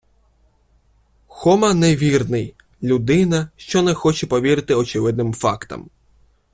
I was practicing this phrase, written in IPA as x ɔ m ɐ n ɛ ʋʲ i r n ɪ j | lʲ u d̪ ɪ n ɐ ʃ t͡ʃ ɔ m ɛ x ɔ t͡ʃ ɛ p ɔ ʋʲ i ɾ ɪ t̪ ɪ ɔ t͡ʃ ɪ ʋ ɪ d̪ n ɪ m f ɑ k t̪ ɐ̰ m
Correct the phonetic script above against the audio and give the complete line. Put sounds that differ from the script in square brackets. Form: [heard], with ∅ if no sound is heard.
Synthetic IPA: x ɔ m ɐ n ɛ ʋʲ i r n ɪ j | lʲ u d̪ ɪ n ɐ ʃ t͡ʃ ɔ [n] ɛ x ɔ t͡ʃ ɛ p ɔ ʋʲ i ɾ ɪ t̪ ɪ ɔ t͡ʃ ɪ ʋ ɪ d̪ n ɪ m f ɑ k t̪ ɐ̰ m